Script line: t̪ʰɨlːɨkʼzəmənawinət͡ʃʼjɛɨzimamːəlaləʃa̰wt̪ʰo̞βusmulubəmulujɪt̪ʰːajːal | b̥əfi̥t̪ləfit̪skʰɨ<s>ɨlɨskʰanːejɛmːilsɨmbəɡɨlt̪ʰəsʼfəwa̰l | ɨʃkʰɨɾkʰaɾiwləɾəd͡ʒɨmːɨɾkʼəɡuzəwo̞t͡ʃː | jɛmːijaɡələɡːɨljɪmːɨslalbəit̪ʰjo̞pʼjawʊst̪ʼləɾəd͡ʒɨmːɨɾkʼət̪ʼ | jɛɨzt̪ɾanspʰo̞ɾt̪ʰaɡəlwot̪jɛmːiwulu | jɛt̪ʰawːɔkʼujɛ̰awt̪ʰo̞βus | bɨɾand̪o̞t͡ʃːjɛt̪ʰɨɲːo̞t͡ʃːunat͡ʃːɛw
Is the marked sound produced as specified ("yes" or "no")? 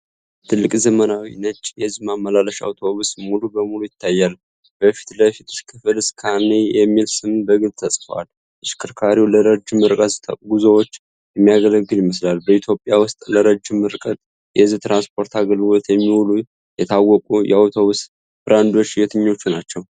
no